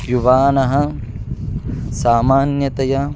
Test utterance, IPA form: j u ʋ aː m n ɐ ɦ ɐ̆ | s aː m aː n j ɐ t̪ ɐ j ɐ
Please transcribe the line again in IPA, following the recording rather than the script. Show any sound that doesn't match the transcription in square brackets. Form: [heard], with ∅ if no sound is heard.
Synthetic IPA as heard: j u ʋ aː [∅] n ɐ ɦ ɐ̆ | s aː m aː n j ɐ t̪ ɐ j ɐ